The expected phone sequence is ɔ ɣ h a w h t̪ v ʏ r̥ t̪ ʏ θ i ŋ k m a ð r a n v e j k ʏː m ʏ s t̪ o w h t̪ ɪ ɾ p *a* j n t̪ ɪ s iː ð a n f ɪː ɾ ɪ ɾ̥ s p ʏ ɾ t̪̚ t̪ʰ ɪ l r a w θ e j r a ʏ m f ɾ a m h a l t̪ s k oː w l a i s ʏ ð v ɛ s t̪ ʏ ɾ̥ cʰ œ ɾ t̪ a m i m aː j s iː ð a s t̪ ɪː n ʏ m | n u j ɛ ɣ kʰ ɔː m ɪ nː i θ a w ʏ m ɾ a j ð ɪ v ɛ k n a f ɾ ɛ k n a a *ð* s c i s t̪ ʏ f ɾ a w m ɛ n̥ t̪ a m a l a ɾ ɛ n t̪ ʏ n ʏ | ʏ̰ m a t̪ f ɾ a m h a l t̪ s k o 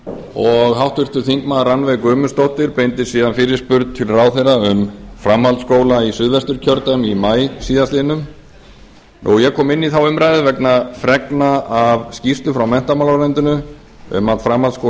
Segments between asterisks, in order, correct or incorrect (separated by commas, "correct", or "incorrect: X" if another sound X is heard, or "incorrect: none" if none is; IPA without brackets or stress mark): incorrect: e, incorrect: v